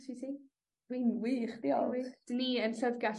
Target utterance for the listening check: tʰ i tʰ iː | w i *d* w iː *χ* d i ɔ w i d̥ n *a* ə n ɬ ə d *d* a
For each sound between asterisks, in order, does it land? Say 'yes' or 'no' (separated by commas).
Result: no, yes, no, no